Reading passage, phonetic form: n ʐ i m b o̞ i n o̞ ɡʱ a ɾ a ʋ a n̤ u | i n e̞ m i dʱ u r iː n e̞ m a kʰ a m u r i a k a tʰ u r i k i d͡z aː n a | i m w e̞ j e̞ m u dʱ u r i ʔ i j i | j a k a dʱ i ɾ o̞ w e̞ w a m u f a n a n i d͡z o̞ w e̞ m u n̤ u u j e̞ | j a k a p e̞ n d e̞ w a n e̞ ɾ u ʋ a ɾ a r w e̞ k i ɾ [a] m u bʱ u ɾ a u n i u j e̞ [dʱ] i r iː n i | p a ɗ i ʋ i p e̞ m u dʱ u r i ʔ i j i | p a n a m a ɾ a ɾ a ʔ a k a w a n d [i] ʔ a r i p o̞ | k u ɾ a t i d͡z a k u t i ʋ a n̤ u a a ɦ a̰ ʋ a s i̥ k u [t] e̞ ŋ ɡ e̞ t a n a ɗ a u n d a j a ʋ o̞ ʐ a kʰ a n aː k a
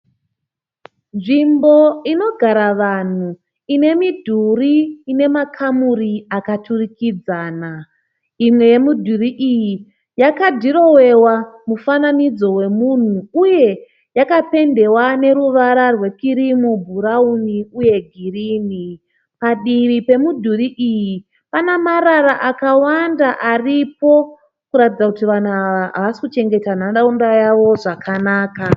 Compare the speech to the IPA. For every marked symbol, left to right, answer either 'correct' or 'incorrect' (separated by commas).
incorrect, incorrect, incorrect, incorrect